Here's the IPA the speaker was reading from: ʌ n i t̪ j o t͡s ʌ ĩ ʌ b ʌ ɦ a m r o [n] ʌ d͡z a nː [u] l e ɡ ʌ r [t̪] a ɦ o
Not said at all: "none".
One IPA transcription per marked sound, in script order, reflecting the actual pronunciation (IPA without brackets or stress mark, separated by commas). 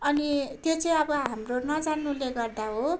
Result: n, u, d̪